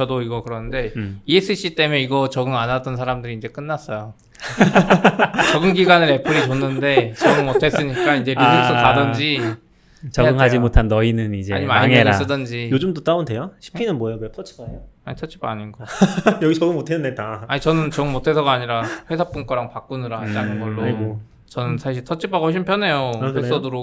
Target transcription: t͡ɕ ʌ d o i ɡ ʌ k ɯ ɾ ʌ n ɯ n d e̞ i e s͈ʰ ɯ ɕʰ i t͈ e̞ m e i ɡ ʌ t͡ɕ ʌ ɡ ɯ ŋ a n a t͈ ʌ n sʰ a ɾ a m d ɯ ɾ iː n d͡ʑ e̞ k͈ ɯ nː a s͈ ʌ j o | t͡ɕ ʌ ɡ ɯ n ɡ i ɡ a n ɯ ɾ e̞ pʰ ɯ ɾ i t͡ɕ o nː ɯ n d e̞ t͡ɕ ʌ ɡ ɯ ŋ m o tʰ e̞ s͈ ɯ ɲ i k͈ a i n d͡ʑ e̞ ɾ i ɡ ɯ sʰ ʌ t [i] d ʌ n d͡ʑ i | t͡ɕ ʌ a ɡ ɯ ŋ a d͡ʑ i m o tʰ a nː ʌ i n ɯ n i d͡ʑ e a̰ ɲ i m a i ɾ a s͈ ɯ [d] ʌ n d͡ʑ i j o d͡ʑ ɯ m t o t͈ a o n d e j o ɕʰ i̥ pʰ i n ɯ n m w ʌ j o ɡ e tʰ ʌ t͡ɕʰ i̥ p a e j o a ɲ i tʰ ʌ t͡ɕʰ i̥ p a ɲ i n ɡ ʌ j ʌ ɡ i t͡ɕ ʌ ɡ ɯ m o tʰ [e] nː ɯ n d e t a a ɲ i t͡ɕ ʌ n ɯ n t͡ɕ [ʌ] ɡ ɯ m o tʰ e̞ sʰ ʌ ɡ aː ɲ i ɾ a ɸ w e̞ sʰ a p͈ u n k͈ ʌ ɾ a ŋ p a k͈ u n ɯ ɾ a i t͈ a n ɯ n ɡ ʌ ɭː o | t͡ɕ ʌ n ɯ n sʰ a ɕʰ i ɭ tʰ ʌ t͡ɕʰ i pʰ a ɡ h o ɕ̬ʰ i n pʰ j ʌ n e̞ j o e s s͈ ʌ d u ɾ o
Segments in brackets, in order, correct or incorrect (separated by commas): incorrect, correct, correct, correct